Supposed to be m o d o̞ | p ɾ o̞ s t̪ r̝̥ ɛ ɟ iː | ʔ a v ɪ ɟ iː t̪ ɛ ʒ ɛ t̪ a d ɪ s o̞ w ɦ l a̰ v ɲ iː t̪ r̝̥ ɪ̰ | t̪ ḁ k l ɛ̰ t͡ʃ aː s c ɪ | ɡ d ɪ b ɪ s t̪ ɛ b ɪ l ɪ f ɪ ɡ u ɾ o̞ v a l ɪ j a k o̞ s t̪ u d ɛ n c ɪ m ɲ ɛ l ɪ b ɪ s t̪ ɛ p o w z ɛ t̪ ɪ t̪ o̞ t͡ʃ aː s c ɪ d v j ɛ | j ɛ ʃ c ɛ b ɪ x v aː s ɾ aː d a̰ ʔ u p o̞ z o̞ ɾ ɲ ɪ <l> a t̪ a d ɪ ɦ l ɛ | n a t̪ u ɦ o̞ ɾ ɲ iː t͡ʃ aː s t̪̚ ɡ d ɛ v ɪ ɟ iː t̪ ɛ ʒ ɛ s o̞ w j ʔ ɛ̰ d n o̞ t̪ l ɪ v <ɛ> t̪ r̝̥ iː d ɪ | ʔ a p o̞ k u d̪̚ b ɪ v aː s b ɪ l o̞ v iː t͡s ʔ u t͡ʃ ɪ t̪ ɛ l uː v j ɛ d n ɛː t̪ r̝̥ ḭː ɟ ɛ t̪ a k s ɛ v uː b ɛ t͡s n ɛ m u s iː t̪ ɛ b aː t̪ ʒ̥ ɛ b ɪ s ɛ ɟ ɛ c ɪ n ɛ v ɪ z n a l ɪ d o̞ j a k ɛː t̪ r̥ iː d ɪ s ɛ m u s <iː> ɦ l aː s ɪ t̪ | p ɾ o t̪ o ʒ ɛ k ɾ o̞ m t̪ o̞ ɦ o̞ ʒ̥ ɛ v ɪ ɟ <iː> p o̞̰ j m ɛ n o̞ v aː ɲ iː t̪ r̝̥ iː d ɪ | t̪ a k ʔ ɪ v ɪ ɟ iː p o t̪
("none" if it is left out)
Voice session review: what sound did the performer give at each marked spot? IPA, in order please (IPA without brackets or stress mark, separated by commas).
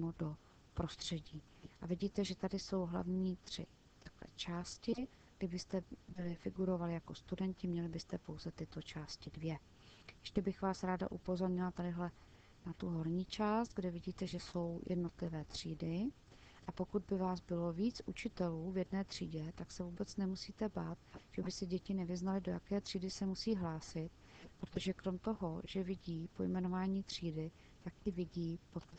l, ɛː, iː, iː